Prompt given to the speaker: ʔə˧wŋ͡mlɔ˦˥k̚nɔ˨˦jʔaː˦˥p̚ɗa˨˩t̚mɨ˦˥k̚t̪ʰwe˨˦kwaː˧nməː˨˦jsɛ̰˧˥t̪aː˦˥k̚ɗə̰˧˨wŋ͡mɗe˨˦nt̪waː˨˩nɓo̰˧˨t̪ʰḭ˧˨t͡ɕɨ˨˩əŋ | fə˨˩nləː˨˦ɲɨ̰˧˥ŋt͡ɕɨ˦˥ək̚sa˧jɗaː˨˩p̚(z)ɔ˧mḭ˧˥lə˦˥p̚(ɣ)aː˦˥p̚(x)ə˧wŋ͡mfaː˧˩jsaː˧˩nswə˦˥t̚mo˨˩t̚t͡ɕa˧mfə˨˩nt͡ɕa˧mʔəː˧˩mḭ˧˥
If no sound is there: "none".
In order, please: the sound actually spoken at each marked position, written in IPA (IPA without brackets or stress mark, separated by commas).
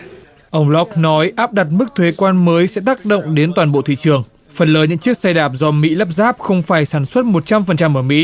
z, z, x